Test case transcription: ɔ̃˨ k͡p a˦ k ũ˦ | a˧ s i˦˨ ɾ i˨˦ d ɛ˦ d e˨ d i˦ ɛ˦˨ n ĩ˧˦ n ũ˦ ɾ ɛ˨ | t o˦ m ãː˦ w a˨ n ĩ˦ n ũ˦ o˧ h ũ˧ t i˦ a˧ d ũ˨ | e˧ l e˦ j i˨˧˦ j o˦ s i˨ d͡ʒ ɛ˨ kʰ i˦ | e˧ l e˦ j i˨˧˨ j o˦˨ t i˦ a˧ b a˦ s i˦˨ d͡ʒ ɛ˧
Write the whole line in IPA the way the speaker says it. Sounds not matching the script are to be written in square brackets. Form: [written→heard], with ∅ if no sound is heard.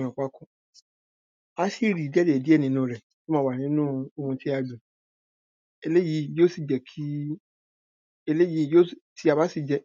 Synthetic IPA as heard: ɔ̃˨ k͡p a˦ k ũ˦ | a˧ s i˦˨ ɾ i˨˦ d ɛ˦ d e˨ d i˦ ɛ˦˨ n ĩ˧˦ n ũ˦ ɾ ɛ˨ | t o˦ m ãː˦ w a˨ n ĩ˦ n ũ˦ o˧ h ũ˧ t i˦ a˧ d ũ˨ | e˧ l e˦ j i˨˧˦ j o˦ s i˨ d͡ʒ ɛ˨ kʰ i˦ | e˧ l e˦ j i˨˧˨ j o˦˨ t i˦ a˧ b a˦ s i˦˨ d͡ʒ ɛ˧

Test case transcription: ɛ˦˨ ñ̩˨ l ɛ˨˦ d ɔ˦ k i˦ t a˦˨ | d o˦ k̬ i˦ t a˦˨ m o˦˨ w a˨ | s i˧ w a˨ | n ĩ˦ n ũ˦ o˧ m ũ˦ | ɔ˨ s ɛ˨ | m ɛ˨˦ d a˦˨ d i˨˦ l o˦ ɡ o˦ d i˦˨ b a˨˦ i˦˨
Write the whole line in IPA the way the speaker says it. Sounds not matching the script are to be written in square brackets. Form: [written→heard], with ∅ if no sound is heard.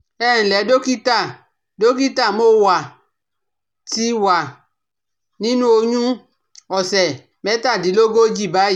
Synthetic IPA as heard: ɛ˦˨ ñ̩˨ l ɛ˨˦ d [ɔ˦→o˦] k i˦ t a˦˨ | d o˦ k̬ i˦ t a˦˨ m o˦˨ w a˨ | [s→t] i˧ w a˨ | n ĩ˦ n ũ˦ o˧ [m→ɲ] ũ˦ | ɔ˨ s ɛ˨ | m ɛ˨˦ [d→t] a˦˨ d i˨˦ l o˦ ɡ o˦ [d→d͡ʒ] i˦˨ b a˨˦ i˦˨

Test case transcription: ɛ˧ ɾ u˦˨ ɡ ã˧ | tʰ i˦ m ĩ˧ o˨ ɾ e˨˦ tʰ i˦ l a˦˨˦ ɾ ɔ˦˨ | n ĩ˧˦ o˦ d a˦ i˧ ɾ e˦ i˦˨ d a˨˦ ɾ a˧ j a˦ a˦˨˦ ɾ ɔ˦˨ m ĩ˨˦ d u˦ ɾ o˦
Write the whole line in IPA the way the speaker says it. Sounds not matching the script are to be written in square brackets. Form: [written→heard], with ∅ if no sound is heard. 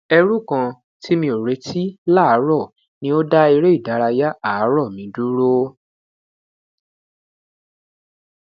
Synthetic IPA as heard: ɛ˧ ɾ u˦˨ [ɡ→k] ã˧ | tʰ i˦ m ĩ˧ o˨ ɾ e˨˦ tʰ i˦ l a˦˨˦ ɾ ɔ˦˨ | n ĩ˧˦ o˦ d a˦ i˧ ɾ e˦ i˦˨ d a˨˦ ɾ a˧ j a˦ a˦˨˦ ɾ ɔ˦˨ m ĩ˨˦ d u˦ ɾ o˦

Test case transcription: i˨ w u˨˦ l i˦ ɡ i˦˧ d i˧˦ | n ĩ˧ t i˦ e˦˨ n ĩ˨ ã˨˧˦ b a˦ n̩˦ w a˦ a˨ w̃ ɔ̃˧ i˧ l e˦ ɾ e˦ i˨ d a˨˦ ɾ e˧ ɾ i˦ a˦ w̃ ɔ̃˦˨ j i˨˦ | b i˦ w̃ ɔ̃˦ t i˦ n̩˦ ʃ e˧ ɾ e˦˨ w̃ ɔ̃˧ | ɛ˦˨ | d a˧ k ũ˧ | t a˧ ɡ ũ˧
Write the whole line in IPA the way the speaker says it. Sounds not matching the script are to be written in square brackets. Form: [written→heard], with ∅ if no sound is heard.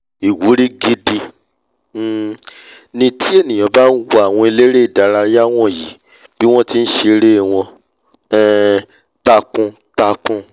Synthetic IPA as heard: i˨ w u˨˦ [l→ɾ] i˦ ɡ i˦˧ d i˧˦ | n ĩ˧ t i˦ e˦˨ n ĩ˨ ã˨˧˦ b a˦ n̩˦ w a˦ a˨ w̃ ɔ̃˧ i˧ l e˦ ɾ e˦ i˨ d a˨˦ ɾ [e˧→a˧] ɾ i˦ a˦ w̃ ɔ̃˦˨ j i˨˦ | b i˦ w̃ ɔ̃˦ t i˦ n̩˦ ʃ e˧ ɾ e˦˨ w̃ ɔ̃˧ | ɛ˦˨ | [d→t] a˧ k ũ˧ | t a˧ [ɡ→k] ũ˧

